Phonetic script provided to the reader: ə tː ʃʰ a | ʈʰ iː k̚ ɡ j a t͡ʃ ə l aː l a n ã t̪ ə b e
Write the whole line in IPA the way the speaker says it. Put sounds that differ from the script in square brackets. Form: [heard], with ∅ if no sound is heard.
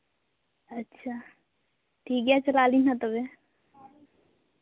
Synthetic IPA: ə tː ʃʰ a | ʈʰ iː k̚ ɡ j a t͡ʃ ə l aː l [i] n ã t̪ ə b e